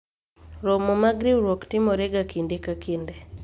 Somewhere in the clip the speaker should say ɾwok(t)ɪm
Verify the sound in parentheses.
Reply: correct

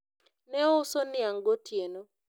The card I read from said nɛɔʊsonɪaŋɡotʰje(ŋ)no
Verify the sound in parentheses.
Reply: incorrect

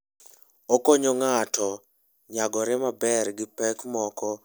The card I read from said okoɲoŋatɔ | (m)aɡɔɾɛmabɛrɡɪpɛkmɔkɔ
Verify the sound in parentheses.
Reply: incorrect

